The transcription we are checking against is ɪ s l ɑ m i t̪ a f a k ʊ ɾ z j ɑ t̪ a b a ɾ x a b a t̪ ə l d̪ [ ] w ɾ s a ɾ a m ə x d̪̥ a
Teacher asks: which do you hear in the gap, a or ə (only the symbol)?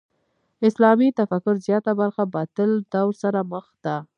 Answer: a